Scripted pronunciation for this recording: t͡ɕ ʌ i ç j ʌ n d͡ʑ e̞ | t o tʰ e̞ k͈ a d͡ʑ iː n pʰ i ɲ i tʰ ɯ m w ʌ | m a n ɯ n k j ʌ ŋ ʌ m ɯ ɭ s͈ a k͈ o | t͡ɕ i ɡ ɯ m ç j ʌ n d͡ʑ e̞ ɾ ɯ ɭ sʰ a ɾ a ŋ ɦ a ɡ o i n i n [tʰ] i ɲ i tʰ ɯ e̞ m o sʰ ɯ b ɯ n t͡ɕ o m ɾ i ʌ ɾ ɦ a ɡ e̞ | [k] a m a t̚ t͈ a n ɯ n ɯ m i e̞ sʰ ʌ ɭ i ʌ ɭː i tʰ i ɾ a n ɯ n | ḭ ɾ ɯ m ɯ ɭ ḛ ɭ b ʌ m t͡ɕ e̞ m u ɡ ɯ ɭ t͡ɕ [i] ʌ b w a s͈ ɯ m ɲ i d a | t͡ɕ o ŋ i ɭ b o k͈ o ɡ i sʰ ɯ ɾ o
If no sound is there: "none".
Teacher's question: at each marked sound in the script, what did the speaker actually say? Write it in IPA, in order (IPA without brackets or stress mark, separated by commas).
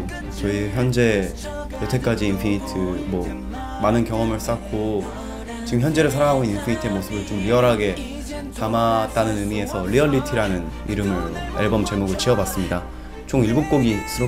pʰ, t, i